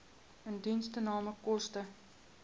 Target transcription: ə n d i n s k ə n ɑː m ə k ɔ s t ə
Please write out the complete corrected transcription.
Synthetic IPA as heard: ə n d i n s t ə n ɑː m ə k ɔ s t ə